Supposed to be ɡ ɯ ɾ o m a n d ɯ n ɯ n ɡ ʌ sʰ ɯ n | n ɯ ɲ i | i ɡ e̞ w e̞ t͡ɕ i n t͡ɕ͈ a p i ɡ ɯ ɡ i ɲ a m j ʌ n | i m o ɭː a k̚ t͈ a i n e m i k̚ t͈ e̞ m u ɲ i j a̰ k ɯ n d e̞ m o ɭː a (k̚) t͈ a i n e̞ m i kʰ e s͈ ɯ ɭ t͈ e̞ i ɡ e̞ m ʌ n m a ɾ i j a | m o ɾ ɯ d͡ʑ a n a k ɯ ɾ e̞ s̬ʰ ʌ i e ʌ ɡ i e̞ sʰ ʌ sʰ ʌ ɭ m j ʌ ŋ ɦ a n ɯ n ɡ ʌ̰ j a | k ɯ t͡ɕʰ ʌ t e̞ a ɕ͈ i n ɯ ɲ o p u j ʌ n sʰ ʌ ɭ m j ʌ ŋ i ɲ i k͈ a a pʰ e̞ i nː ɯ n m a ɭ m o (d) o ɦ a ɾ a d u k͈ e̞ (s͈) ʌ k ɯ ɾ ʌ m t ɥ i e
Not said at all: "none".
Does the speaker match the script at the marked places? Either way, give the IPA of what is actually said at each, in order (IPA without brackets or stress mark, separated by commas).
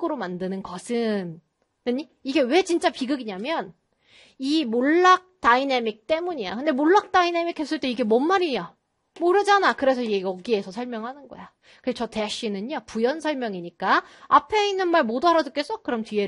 k̚, d, s͈